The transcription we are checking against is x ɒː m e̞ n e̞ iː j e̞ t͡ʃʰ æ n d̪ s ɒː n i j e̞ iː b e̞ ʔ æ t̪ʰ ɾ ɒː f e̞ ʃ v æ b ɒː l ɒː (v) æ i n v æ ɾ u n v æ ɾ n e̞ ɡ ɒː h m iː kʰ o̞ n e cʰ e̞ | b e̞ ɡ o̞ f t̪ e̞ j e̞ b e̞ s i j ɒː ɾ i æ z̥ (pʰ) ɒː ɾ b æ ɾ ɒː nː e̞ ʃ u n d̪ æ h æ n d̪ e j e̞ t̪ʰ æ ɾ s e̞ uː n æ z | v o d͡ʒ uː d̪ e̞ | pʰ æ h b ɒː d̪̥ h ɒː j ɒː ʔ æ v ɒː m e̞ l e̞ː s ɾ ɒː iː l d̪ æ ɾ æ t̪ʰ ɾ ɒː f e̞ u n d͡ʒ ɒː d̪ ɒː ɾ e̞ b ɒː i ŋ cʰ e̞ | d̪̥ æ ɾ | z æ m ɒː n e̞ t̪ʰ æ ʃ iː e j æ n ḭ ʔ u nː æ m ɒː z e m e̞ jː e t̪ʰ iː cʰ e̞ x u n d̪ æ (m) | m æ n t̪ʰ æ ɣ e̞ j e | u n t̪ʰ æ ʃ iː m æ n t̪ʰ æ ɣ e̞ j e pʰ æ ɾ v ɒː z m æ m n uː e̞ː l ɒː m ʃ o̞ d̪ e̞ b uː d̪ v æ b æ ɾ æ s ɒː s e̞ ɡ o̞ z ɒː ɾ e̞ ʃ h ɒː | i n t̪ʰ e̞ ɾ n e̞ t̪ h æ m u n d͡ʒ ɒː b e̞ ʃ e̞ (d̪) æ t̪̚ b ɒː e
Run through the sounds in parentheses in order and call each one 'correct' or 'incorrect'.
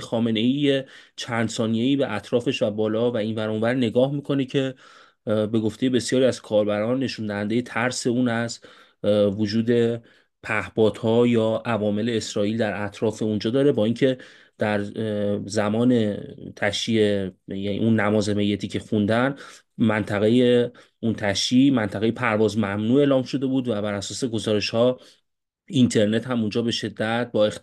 correct, incorrect: kʰ, incorrect: n, incorrect: d̪ː

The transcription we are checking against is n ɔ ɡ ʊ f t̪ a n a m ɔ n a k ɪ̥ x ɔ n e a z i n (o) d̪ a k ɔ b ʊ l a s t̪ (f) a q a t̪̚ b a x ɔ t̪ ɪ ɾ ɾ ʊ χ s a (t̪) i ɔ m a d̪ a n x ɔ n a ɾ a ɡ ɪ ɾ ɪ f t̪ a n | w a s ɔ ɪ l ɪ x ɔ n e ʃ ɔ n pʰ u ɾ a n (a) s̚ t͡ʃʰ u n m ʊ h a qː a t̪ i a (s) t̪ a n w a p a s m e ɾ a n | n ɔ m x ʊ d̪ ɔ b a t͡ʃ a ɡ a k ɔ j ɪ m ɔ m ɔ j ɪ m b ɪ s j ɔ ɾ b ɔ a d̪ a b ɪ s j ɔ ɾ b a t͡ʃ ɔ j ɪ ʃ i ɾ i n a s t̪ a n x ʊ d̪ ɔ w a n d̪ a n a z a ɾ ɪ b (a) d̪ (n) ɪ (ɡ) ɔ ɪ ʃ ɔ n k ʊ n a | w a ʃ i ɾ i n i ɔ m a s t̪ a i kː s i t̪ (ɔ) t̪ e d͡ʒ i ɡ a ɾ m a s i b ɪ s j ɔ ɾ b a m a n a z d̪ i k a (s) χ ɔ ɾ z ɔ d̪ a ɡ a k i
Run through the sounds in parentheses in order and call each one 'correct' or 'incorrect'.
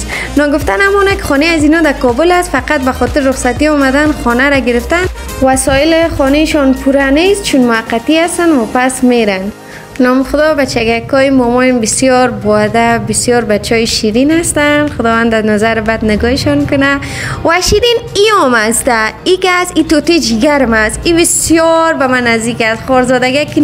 incorrect: ɔ, correct, correct, incorrect: e, correct, correct, correct, correct, incorrect: o, correct

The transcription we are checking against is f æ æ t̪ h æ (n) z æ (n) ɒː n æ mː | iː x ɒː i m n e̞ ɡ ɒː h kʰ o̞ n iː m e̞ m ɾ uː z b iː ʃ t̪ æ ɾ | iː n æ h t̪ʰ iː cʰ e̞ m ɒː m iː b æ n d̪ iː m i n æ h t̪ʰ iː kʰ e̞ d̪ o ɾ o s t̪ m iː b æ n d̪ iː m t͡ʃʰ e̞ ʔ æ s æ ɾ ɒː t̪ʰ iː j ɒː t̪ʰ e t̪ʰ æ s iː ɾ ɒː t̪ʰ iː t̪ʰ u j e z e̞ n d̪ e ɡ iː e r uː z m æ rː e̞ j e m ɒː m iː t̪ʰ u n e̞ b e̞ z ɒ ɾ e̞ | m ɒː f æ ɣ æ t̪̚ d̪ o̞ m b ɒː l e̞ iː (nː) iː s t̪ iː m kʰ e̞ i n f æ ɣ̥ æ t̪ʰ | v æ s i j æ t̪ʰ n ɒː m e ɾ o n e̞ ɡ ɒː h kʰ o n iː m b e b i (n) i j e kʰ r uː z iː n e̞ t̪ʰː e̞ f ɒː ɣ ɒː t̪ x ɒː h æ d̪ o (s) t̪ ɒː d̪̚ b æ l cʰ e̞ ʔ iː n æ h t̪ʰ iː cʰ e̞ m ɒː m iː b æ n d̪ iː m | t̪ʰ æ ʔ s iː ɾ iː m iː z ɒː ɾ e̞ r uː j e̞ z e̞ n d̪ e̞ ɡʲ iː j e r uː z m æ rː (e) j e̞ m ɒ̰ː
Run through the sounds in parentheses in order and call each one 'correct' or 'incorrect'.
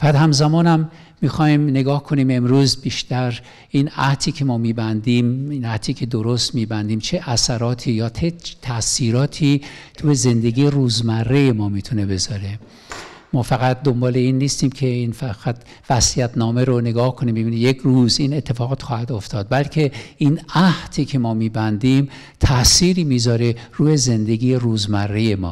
incorrect: m, incorrect: m, correct, correct, incorrect: f, correct

